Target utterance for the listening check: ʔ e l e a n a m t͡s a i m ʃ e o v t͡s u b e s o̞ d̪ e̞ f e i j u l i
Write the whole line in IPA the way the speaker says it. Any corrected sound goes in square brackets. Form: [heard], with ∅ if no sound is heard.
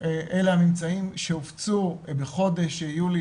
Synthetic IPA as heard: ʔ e l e a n [i] m t͡s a i m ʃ e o [f] t͡s u b e [χ] o̞ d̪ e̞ [ʃ] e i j u l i